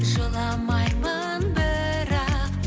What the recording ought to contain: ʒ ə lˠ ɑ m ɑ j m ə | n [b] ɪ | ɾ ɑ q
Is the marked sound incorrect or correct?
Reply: correct